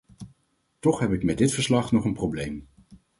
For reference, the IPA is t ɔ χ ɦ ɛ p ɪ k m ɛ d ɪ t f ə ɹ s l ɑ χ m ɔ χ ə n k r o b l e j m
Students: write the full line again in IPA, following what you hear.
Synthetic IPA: t ɔ χ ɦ ɛ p ɪ k m ɛ d ɪ t f ə ɹ s l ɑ χ n ɔ χ ə n p r o b l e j m